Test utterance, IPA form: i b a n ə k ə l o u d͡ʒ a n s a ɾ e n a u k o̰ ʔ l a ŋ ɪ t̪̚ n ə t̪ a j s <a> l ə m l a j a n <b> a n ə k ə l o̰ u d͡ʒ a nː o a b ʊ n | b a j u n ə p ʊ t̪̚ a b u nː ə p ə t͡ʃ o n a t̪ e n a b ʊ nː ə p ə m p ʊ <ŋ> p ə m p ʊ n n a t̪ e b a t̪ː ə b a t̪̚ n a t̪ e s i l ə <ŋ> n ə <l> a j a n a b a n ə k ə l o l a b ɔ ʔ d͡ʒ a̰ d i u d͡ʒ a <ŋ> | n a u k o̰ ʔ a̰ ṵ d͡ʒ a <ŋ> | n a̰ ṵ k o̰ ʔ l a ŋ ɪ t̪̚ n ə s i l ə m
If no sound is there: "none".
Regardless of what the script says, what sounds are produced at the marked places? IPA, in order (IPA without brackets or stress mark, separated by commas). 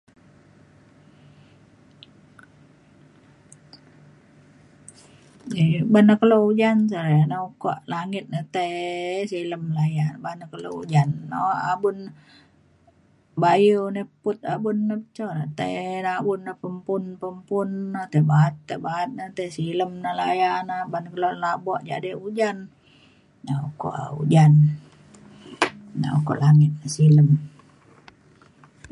i, b, n, m, l, n, n